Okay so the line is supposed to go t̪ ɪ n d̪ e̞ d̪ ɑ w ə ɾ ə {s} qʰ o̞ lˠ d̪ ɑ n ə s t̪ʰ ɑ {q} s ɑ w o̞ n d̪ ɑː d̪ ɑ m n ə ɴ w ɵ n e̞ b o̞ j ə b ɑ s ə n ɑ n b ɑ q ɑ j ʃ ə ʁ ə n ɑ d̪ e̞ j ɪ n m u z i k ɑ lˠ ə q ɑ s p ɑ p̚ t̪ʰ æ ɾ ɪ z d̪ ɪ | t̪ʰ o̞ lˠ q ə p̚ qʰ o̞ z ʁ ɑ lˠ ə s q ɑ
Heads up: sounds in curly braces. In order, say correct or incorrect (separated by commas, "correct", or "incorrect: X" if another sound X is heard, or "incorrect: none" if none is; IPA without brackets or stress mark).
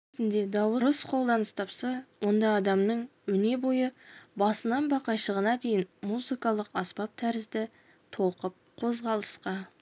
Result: correct, incorrect: p